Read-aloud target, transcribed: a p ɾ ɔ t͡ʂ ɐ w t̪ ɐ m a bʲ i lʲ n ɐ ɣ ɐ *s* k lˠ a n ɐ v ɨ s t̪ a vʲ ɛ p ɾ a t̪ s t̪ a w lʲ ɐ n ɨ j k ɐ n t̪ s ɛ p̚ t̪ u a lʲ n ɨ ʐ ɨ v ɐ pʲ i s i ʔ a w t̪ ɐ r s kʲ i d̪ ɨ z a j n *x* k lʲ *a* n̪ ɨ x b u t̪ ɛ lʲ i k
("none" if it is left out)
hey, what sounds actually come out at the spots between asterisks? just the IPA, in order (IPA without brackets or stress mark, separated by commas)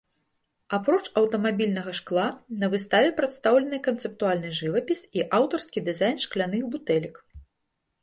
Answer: ʂ, ʂ, a